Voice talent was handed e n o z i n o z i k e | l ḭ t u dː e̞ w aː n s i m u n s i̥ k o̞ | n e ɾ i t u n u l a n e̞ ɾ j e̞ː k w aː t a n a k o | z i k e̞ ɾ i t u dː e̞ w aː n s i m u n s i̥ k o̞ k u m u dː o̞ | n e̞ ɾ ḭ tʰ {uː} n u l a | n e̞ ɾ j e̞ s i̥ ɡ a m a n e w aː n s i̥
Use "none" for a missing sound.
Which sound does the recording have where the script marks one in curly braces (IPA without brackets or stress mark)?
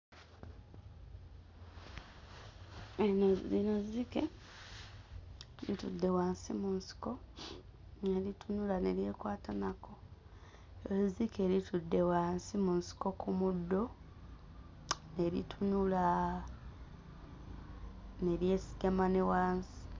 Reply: u